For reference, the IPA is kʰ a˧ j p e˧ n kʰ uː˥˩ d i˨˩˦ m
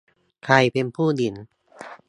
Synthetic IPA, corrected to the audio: kʰ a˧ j p e˧ n pʰ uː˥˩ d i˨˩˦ n